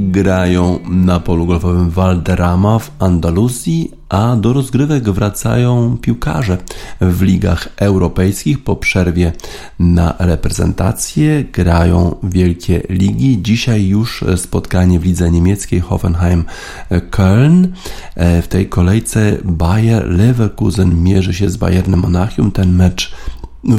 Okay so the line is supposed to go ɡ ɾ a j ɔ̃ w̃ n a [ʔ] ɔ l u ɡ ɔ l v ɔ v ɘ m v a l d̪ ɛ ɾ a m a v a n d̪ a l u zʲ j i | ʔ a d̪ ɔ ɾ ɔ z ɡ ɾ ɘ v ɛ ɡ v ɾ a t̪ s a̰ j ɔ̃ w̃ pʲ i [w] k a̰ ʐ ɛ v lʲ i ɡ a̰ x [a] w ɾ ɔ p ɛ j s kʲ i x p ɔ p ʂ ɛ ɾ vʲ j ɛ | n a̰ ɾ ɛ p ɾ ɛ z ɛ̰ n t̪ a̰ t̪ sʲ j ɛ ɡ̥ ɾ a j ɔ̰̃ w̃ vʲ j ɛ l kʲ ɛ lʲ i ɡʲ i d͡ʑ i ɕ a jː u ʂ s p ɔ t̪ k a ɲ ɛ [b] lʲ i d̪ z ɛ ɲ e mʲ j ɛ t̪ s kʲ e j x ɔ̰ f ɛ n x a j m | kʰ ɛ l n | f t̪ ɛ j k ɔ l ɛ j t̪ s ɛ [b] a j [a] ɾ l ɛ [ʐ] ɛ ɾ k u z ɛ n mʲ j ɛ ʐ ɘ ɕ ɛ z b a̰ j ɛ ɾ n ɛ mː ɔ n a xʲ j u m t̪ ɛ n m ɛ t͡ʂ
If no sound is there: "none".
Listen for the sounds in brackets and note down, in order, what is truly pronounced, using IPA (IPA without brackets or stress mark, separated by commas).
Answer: p, w, ɛ, v, b, ɛ, v